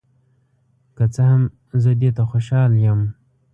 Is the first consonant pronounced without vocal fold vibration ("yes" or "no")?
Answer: yes